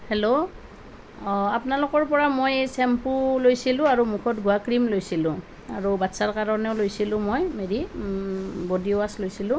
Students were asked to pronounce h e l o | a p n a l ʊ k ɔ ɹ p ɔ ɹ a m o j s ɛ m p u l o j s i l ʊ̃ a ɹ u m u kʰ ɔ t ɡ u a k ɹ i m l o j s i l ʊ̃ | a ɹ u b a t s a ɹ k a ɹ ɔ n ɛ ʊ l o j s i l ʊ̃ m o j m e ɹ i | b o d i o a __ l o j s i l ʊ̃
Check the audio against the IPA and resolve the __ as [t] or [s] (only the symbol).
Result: s